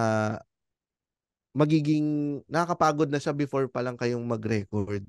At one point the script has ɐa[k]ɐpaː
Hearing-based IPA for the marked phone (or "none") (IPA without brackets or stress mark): k